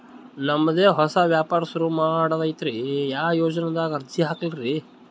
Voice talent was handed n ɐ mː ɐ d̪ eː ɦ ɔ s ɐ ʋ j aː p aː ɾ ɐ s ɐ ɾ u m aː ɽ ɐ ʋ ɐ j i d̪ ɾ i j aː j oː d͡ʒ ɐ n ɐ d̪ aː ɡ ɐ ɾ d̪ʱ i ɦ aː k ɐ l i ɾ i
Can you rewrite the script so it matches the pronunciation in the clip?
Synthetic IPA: n ɐ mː ɐ d̪ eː ɦ ɔ s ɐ ʋ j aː p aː ɾ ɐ s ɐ ɾ u m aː ɽ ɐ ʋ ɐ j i t̪ ɾ i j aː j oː d͡ʒ ɐ n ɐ d̪ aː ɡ ɐ ɾ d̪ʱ i ɦ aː k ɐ l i ɾ i